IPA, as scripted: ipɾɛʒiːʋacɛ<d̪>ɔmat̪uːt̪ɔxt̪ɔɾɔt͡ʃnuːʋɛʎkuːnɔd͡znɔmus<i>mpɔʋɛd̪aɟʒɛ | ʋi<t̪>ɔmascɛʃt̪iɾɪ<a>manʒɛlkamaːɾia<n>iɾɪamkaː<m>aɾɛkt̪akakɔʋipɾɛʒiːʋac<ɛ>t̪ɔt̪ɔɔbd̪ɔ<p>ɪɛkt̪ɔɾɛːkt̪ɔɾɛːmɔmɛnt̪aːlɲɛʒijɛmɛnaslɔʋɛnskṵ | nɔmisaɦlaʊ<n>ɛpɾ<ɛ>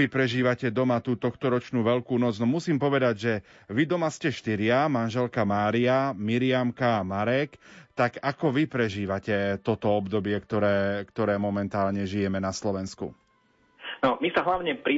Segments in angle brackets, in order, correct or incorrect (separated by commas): correct, incorrect, incorrect, correct, incorrect, correct, correct, incorrect, incorrect, incorrect